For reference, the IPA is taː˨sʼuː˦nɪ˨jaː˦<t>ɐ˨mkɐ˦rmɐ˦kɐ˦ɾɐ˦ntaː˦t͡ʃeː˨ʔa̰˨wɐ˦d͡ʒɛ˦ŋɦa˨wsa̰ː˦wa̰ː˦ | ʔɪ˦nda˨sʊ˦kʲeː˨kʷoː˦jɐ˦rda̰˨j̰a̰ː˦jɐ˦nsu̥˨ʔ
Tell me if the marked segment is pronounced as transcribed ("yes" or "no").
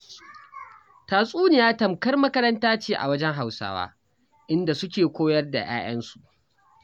yes